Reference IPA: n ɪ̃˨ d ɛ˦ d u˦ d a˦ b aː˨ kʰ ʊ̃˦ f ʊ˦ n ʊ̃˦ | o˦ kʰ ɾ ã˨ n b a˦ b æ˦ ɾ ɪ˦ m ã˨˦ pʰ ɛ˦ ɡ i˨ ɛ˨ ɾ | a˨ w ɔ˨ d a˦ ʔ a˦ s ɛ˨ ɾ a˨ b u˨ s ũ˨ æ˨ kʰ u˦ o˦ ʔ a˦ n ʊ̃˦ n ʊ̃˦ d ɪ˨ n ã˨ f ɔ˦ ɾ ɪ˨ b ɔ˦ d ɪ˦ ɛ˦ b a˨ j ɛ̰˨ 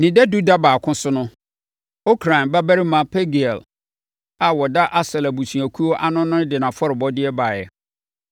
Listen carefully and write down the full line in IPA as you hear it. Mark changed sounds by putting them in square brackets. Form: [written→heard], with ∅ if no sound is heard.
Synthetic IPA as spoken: n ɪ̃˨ d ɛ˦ d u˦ d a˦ b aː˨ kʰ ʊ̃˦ [f→s] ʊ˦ n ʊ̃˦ | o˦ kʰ ɾ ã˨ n b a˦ b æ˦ ɾ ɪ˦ m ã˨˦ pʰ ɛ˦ ɡ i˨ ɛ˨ [ɾ→l] | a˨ w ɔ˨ d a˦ ʔ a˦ s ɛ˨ [ɾ→l] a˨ b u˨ s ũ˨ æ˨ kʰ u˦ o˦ ʔ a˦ n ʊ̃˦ n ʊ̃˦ d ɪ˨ n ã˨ f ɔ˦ ɾ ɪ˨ b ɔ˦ d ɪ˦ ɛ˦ b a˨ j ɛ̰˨

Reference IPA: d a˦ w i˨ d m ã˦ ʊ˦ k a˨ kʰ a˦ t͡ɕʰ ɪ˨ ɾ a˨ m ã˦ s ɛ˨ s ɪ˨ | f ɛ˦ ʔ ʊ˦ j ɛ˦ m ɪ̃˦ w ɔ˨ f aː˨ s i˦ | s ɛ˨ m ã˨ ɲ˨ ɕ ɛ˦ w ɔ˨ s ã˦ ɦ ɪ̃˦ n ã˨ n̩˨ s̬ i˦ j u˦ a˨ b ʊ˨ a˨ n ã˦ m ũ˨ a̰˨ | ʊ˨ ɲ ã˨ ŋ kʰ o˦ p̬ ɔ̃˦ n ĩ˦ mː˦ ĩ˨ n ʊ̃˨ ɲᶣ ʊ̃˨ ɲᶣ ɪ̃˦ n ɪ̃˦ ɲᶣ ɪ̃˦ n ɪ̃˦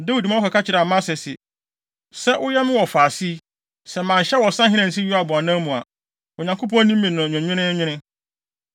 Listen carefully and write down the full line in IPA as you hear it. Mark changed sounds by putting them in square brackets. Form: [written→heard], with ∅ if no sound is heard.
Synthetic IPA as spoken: d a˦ w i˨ d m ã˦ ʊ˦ k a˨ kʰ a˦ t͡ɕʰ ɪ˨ ɾ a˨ m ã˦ s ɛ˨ s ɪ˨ | [f→s] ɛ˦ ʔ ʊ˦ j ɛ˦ m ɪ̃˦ w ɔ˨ f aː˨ s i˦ | s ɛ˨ m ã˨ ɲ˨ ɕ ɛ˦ w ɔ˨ s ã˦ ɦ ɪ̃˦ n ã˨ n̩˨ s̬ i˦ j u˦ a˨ b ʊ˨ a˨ n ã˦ m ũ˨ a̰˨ | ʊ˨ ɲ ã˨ ŋ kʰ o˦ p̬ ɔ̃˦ n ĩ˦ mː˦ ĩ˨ n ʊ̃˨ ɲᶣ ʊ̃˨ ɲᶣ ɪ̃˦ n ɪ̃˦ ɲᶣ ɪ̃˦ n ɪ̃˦

